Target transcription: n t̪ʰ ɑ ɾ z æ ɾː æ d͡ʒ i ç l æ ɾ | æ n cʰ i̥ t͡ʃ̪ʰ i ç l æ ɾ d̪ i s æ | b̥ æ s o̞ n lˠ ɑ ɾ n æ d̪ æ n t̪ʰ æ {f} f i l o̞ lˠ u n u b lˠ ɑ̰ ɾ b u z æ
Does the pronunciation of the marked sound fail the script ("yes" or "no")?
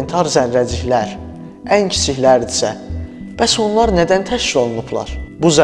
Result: yes